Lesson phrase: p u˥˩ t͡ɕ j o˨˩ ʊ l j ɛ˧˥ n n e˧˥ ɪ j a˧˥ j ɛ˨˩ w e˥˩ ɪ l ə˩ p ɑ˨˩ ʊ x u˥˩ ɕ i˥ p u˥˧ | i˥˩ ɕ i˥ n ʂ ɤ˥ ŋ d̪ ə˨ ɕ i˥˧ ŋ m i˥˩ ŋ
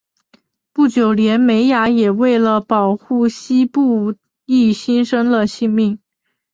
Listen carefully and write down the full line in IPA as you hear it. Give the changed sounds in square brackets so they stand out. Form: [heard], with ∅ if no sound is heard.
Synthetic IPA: p u˥˩ t͡ɕ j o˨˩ ʊ l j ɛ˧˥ n [m] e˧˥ ɪ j a˧˥ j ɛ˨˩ w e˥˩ ɪ l ə˩ p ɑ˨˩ ʊ x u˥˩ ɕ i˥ p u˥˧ | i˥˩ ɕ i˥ n ʂ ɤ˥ ŋ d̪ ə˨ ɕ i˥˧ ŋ m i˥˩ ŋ